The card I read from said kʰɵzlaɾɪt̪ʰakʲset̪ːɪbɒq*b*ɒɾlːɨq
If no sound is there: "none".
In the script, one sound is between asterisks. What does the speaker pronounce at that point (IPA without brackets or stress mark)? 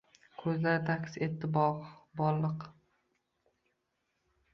b